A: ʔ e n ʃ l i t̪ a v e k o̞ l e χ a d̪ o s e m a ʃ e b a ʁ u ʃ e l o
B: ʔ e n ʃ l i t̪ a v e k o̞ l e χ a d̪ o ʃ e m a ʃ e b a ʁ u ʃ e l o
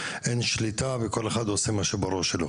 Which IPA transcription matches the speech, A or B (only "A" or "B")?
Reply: A